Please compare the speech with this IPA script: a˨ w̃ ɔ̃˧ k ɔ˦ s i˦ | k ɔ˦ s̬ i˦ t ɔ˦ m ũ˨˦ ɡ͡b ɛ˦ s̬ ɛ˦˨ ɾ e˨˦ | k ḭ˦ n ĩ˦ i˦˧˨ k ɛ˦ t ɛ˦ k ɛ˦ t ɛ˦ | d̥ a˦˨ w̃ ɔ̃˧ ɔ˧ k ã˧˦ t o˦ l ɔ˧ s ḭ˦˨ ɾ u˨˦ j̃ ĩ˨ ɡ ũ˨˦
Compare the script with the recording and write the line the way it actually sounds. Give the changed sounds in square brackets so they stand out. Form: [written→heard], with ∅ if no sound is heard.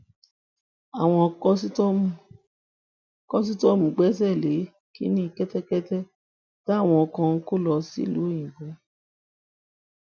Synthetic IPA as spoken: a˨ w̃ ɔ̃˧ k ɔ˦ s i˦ | k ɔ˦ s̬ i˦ t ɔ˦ m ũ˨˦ ɡ͡b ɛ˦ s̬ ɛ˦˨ [ɾ→l] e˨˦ | k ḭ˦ n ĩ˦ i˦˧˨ k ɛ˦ t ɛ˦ k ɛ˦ t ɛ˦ | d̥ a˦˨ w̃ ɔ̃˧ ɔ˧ k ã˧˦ [t→k] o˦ l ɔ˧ s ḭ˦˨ [ɾ→l] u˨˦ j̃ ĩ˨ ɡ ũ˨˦